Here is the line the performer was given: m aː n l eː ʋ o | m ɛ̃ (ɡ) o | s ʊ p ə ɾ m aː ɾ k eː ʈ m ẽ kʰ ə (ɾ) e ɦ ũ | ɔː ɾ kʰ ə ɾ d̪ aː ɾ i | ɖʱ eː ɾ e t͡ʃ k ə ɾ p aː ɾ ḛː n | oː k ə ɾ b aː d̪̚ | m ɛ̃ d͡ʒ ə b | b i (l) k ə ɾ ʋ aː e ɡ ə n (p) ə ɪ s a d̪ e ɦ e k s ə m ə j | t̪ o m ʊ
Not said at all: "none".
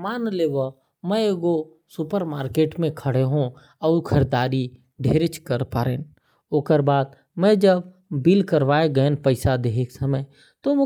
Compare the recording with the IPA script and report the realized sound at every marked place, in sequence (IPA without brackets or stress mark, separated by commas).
ɡ, ɽ, l, p